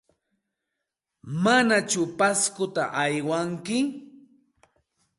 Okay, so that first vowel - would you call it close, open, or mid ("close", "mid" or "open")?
open